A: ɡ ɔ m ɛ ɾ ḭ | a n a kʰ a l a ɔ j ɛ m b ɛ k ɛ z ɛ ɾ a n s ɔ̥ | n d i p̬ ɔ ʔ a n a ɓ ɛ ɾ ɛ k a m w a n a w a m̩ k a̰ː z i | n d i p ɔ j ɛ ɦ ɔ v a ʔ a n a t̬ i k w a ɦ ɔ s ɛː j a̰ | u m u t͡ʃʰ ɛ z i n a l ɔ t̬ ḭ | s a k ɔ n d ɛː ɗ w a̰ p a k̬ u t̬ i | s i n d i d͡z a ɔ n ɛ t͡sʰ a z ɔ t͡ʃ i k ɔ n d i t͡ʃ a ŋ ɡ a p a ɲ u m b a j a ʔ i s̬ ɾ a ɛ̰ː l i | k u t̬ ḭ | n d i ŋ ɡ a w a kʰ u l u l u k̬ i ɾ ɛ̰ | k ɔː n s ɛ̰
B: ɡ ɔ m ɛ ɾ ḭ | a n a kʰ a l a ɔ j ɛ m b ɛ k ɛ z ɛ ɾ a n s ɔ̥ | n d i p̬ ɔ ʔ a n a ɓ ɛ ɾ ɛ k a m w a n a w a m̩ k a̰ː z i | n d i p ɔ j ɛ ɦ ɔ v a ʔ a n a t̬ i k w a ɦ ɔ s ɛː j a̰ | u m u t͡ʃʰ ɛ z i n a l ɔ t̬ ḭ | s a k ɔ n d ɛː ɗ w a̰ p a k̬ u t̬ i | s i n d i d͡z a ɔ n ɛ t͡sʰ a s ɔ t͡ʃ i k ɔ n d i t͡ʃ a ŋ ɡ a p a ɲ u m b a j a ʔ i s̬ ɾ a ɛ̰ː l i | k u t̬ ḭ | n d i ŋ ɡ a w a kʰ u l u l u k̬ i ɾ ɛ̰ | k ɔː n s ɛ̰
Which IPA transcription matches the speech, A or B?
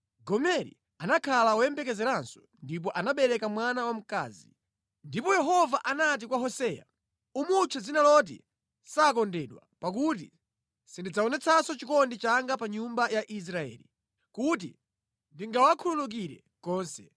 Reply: B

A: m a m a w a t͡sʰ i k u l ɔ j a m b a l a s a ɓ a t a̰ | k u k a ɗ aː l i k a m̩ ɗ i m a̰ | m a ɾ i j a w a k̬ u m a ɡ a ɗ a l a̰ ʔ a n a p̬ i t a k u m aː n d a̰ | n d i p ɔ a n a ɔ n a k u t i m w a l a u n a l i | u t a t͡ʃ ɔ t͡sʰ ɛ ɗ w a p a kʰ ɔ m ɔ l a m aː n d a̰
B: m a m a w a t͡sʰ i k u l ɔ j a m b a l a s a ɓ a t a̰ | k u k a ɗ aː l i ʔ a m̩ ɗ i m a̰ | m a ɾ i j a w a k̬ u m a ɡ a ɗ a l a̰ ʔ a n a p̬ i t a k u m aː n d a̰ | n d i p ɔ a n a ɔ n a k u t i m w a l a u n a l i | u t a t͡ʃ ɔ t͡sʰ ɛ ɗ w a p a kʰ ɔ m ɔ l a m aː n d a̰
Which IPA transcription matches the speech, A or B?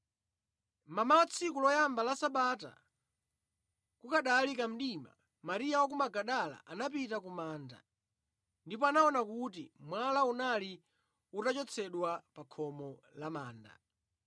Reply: A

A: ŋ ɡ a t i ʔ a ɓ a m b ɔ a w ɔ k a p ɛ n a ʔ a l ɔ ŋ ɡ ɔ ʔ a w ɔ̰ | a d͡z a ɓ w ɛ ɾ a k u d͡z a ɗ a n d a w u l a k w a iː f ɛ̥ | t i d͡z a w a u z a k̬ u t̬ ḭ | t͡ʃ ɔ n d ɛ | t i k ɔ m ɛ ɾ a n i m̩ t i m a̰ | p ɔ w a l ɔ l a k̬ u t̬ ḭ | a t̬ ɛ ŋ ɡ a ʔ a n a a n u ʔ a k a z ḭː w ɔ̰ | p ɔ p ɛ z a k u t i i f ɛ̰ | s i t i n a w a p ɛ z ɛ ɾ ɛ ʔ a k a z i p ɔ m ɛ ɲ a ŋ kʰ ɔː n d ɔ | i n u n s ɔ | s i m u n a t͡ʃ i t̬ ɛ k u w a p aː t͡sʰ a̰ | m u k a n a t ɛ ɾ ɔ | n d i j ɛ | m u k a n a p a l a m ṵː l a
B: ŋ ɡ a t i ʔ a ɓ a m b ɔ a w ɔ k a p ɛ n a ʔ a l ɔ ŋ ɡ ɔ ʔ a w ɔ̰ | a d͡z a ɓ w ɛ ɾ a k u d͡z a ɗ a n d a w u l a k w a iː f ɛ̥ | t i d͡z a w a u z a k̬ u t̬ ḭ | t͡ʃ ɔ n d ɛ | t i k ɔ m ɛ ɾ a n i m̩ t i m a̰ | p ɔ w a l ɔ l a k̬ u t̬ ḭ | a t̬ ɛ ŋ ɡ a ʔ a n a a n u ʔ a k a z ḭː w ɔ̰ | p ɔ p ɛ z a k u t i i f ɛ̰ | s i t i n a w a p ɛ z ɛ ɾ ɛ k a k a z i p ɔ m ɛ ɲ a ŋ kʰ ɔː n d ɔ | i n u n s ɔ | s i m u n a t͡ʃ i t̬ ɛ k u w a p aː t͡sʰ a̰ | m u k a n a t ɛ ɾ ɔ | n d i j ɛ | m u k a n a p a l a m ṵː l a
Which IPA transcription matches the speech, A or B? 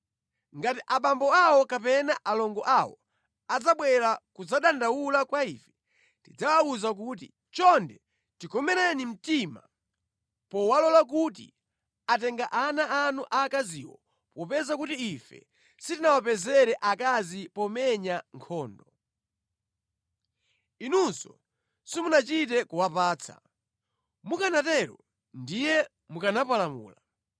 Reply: A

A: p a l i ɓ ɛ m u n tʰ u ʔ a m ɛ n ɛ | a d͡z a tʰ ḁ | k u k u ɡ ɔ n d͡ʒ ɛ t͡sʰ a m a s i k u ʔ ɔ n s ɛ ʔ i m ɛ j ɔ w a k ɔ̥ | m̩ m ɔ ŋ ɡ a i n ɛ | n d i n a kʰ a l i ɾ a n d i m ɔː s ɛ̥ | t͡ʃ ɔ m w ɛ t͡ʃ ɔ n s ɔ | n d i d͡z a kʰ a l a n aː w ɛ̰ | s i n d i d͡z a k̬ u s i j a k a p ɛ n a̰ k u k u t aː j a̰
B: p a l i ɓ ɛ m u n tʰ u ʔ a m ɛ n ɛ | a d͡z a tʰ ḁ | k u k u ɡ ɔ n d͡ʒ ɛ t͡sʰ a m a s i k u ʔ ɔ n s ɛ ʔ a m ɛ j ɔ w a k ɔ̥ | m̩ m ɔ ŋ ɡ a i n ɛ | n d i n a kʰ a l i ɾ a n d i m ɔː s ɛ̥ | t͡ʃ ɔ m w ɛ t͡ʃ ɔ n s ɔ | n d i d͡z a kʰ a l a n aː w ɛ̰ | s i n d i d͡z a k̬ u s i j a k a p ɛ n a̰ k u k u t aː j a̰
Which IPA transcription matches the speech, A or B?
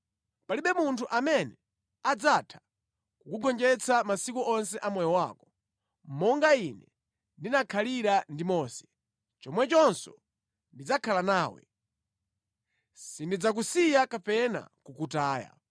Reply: B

